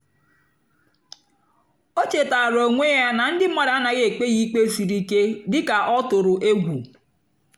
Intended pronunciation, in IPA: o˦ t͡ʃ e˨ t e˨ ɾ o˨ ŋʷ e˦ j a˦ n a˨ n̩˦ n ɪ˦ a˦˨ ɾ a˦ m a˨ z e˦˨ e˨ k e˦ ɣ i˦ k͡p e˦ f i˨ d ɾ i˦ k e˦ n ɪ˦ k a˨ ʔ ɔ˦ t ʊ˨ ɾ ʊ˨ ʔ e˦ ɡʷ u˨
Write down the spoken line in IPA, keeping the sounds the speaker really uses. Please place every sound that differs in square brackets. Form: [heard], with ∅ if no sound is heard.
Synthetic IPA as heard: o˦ t͡ʃ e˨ t [a˨] ɾ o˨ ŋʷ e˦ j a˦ n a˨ n̩˦ [d] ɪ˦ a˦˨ ɾ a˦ [n] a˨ [ɣ] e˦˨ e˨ [k͡p] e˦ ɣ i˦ k͡p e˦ f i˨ [∅] ɾ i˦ k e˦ [d] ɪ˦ k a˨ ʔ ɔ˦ t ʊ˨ ɾ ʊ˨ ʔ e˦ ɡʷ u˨